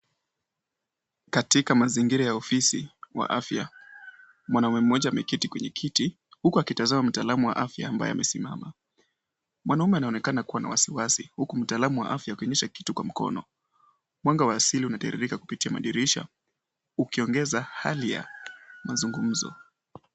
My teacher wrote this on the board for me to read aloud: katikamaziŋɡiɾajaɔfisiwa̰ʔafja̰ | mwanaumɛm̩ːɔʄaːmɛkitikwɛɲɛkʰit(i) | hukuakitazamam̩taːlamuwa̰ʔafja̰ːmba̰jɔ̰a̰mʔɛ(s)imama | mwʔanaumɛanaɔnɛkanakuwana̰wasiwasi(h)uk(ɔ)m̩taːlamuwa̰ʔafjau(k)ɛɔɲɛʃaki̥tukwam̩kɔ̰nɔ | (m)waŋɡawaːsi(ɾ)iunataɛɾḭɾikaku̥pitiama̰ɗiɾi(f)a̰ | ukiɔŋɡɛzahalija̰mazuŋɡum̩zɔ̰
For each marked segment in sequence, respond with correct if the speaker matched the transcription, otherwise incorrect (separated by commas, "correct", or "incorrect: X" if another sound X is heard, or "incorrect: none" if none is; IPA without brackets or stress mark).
correct, correct, correct, incorrect: u, correct, correct, incorrect: l, incorrect: ʃ